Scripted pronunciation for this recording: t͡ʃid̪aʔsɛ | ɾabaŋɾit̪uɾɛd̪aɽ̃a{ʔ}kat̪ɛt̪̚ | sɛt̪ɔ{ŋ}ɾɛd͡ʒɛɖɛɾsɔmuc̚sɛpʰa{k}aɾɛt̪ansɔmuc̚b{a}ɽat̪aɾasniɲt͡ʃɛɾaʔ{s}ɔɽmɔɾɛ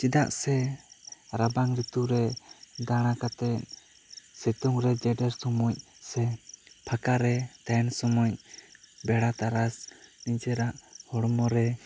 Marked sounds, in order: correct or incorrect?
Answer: incorrect, correct, correct, incorrect, incorrect

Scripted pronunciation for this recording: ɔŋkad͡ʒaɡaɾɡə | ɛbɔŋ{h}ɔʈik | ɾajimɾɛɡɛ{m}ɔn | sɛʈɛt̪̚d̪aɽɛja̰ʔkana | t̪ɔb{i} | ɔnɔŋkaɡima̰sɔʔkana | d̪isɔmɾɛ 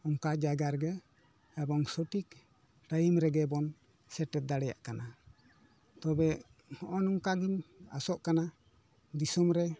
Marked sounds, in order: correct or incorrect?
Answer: incorrect, incorrect, incorrect

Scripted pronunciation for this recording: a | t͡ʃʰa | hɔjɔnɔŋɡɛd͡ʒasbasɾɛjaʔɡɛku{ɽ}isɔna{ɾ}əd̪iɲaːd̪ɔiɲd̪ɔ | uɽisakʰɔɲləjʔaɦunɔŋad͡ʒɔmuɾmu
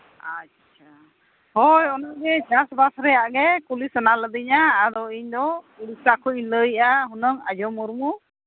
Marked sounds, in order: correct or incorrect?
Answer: incorrect, incorrect

